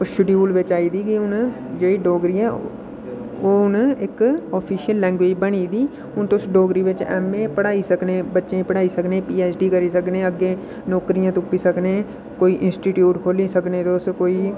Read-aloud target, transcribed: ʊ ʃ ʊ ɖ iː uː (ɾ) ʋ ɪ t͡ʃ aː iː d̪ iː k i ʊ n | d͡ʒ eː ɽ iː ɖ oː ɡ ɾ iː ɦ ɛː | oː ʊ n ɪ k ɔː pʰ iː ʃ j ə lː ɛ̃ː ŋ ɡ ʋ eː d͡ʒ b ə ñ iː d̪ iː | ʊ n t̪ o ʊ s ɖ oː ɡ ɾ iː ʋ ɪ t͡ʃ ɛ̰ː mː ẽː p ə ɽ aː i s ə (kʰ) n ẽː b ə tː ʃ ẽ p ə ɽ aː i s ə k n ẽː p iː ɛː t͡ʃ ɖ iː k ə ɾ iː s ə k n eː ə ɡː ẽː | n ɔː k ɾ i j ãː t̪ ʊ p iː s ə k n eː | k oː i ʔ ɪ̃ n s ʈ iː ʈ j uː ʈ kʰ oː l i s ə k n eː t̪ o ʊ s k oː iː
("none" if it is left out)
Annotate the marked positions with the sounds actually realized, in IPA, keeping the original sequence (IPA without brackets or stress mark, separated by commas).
l, k